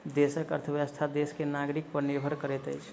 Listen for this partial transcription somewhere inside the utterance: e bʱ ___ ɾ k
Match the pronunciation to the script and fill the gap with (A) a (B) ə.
B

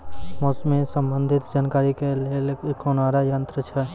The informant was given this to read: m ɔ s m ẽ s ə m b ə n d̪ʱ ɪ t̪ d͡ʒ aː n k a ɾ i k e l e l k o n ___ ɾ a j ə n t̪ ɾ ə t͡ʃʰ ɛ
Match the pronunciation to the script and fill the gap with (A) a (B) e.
A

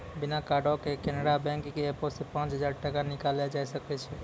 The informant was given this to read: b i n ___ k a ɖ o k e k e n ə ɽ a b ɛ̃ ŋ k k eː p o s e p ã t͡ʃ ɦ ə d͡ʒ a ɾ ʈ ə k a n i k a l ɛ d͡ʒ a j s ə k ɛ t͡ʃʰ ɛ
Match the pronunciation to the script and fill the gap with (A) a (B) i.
A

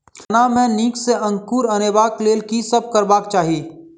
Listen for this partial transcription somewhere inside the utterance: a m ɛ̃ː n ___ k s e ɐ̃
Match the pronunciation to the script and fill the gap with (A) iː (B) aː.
A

